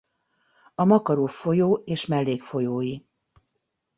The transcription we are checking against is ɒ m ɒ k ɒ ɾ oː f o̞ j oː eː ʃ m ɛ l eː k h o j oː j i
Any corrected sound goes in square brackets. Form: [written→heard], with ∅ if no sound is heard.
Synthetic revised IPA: ɒ m ɒ k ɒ ɾ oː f o̞ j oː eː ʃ m ɛ [l→lː] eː k [h→f] o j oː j i